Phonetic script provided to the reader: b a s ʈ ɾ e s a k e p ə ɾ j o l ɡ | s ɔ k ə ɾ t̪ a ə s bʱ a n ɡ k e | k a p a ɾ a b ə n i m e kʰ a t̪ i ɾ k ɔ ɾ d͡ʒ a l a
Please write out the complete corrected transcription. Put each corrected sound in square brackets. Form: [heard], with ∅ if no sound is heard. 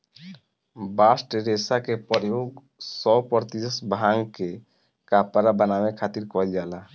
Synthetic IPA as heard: b a s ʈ ɾ e s a k e p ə ɾ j o [∅] ɡ | s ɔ [p] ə ɾ t̪ [i] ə s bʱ a [ŋ] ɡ k e | k a p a ɾ a b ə n [a] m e kʰ a t̪ i ɾ k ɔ [l] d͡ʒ a l a